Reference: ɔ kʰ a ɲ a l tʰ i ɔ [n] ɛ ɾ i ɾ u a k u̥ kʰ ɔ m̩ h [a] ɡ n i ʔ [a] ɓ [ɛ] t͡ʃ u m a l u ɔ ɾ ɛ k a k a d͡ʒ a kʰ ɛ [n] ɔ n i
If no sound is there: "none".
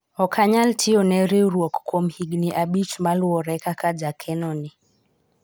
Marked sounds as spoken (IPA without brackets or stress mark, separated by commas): n, i, a, i, n